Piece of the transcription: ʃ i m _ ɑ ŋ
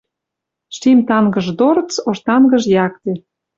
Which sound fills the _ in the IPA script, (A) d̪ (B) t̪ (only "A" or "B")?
B